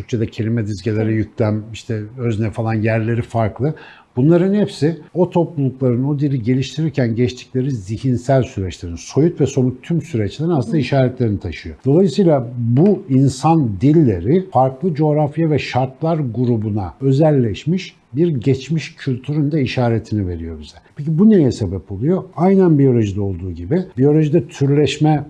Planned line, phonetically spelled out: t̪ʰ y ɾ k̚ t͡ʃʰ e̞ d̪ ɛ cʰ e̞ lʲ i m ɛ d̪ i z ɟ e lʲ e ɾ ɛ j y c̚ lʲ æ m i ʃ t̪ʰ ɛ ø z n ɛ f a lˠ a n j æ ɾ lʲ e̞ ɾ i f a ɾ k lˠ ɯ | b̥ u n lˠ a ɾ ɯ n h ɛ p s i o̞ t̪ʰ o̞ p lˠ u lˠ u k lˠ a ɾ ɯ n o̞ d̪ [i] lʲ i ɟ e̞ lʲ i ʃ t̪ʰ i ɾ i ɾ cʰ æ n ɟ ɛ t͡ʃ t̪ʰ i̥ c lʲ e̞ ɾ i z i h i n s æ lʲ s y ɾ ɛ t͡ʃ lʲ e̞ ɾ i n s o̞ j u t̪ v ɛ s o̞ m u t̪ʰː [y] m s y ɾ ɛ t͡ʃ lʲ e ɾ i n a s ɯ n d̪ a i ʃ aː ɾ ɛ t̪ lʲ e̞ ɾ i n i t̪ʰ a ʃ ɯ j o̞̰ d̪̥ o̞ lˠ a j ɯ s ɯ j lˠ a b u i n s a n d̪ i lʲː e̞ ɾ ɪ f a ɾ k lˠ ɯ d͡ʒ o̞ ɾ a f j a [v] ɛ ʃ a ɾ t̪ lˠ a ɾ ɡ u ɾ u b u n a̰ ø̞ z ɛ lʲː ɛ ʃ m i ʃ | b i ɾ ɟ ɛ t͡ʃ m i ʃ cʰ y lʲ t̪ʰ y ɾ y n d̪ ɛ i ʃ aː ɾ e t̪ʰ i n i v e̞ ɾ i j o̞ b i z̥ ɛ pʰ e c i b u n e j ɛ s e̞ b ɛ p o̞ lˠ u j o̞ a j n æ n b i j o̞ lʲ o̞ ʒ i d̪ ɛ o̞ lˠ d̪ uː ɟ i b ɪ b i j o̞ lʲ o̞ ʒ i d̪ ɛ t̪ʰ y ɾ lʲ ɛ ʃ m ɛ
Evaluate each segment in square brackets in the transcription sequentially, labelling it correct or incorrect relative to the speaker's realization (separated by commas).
correct, correct, correct